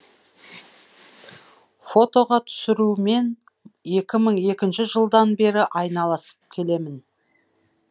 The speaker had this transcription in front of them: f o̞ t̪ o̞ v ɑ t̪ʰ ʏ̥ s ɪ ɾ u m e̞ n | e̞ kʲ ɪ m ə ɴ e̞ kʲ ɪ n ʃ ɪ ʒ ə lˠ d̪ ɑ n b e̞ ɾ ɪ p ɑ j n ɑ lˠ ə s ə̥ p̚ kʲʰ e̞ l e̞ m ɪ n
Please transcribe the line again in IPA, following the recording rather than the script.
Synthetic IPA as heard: f o̞ t̪ o̞ ʁ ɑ t̪ʰ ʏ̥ s ɪ ɾ u m e̞ n | e̞ kʲ ɪ m ə ɴ e̞ kʲ ɪ n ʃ ɪ ʒ ə lˠ d̪ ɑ n b e̞ ɾ ɪ ʔ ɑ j n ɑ lˠ ɑ s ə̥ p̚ kʲʰ e̞ l e̞ m ɪ n